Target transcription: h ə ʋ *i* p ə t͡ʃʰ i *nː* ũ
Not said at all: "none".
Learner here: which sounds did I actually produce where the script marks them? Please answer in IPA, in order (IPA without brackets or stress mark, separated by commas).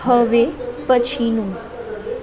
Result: e, n